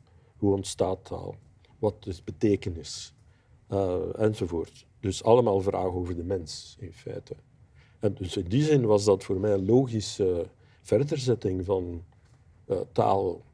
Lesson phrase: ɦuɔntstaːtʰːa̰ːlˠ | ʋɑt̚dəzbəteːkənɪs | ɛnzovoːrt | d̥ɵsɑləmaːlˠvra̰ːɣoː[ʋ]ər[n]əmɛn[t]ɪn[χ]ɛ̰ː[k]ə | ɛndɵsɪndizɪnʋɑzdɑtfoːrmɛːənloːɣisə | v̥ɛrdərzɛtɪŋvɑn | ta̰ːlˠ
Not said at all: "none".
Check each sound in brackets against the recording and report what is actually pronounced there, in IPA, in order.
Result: v, d, s, f, t

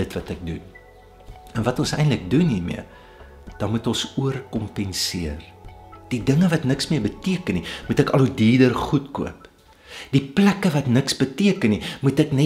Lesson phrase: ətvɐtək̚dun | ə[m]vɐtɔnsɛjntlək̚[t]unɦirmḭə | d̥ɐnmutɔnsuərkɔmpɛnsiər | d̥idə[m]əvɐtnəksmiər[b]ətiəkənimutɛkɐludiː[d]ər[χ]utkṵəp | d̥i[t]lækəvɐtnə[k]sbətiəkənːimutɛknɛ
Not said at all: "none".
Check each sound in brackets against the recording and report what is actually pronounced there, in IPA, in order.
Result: n, d, ŋ, b, d, χ, p, k

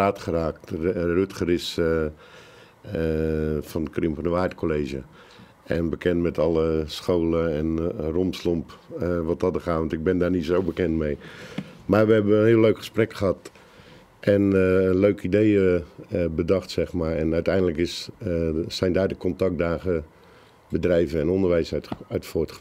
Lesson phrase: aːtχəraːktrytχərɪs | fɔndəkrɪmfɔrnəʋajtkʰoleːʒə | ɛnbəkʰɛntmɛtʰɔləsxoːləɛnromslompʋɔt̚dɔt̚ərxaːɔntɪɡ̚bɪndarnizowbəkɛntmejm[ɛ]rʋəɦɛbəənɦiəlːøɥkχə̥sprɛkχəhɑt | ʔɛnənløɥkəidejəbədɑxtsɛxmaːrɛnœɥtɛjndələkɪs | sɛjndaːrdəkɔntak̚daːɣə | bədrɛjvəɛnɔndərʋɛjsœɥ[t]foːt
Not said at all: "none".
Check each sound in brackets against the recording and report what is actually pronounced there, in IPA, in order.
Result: a, t

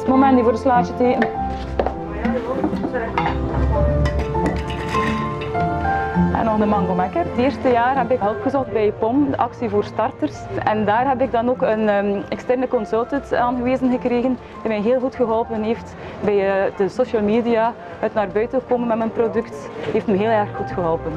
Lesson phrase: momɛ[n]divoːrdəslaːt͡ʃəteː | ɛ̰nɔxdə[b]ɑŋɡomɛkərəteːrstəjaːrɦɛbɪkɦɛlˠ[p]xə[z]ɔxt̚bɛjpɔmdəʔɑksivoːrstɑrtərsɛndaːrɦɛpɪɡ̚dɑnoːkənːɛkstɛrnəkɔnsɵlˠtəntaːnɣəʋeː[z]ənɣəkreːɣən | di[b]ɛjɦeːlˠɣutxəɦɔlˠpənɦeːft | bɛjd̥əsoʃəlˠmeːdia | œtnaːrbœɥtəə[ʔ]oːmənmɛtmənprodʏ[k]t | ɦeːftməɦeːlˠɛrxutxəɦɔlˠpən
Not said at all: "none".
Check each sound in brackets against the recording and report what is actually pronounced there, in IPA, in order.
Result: n, m, p, z, z, m, k, k

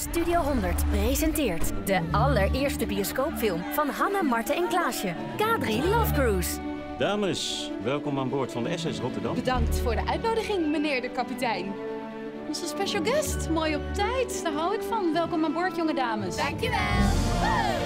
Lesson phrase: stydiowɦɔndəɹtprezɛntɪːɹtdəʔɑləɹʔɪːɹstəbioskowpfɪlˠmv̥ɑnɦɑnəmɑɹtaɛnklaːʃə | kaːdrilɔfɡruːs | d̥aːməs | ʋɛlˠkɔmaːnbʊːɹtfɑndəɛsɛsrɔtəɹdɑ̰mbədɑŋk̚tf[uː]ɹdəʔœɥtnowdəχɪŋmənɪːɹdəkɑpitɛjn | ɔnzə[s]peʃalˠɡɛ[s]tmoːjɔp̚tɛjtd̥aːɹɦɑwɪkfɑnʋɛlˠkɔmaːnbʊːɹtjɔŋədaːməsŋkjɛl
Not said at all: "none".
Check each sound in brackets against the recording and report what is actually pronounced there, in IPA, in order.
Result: ʊː, s, s

